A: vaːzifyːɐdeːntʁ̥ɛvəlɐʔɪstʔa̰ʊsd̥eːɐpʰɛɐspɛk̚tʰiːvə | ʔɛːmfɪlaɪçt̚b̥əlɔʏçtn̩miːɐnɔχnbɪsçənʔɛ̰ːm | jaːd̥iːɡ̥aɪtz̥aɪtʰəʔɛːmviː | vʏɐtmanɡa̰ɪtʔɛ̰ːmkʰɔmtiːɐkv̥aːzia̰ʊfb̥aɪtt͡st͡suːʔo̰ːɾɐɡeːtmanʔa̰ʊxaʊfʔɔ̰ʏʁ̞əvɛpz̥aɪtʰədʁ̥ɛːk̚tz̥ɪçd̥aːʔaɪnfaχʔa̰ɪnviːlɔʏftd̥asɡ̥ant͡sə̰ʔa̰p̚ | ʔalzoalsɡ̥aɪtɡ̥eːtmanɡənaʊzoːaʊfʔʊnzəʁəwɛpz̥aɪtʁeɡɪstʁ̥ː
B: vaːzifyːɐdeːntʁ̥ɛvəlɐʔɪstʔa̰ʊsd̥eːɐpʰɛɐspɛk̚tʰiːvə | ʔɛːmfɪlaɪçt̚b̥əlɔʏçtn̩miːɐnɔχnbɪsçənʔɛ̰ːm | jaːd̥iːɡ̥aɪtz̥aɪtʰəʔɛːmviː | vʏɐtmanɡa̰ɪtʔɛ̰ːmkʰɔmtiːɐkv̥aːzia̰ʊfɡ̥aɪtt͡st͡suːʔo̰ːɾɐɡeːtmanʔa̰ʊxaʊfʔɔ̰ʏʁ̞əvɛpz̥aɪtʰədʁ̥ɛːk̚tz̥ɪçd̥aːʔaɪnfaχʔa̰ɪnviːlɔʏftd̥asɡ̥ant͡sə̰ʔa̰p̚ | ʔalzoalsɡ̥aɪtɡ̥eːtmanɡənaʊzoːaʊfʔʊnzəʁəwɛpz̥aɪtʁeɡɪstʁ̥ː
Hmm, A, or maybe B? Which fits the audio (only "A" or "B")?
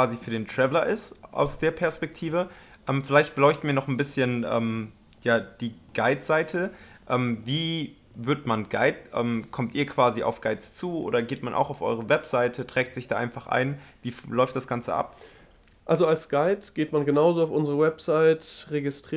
B